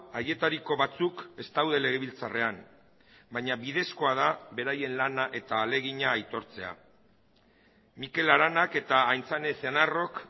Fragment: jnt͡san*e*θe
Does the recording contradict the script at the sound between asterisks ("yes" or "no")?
no